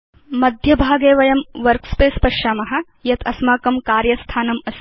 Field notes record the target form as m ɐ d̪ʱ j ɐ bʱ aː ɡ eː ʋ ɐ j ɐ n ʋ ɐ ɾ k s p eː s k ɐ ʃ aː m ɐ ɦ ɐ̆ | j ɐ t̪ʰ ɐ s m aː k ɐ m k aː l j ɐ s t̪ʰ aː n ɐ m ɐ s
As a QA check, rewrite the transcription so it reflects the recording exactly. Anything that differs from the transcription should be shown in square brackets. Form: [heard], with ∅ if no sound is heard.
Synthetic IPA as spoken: m ɐ d̪ʱ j ɐ bʱ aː ɡ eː ʋ ɐ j ɐ [m] ʋ ɐ ɾ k s p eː s [p] ɐ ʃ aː m ɐ ɦ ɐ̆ | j ɐ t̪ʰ ɐ s m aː k ɐ m k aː [ɾ] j ɐ s t̪ʰ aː n ɐ m ɐ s

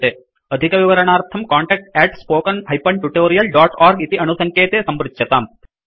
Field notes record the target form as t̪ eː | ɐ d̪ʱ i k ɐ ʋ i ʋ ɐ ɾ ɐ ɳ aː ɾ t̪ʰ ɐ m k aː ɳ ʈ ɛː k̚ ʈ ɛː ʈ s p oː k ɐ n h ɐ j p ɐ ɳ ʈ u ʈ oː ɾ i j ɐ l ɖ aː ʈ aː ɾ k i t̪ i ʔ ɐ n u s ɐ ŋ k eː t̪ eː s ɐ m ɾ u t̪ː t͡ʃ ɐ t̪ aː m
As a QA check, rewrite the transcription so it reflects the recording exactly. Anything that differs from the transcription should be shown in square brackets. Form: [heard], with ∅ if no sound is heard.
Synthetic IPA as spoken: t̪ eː | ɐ d̪ʱ i k ɐ ʋ i ʋ ɐ ɾ ɐ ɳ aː ɾ t̪ʰ ɐ m k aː ɳ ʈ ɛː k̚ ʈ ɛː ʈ s p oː k ɐ n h ɐ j p ɐ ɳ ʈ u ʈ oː ɾ i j ɐ l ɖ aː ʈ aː ɾ [ɡ] i t̪ i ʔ ɐ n u s ɐ ŋ k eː t̪ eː s ɐ m ɾ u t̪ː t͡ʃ ɐ t̪ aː m

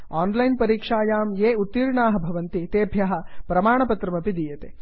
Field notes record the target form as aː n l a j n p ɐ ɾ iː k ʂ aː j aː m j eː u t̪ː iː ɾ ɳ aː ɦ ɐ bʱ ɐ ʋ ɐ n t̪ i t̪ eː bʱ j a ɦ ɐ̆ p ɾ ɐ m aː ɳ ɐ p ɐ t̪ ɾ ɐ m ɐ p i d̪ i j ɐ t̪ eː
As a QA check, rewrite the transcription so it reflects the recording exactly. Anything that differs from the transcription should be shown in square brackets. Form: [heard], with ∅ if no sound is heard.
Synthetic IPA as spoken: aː n l [ɐ] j n p ɐ ɾ iː k ʂ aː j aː m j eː u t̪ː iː ɾ ɳ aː ɦ ɐ bʱ ɐ ʋ ɐ n t̪ i t̪ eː bʱ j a ɦ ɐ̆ p ɾ ɐ m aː ɳ ɐ p ɐ t̪ ɾ ɐ m ɐ p i d̪ i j ɐ t̪ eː

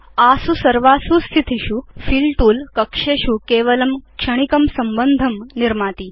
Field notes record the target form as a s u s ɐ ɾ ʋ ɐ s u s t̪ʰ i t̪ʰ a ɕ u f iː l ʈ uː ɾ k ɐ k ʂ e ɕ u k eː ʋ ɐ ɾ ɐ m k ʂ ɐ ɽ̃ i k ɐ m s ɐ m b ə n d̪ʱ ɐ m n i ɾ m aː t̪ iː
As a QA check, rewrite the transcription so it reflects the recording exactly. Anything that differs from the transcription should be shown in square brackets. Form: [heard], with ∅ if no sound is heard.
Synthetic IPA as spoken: a s u s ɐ ɾ ʋ [a] s u s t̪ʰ i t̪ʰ [i] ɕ u f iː l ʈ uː [l] k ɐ k ʂ e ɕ u k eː ʋ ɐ [l] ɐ m k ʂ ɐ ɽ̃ i k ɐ m s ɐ m b ə n d̪ʱ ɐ m n i ɾ m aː t̪ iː

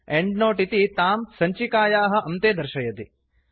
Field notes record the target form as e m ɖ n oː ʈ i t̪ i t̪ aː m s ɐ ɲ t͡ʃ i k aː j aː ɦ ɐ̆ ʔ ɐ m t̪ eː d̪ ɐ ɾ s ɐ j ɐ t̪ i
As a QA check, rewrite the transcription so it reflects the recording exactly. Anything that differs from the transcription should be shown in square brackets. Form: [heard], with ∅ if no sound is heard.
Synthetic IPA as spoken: e [ɳ] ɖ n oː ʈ i t̪ i t̪ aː m s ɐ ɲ t͡ʃ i k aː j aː ɦ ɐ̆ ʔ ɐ m t̪ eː d̪ ɐ ɾ [ʃ] ɐ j ɐ t̪ i

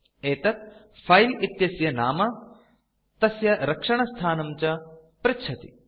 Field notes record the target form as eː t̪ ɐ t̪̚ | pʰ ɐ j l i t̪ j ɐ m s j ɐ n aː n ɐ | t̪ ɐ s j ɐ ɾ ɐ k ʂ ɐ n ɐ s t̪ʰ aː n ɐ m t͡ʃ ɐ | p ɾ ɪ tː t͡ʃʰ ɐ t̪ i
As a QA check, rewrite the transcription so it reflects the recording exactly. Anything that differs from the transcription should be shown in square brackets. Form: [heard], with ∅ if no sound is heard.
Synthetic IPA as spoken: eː t̪ ɐ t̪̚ | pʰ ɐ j l i t̪ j ɐ [∅] s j ɐ n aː [m] ɐ | t̪ ɐ s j ɐ ɾ ɐ k ʂ ɐ [ɳ] ɐ s t̪ʰ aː n ɐ m t͡ʃ ɐ | p ɾ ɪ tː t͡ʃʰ ɐ t̪ i

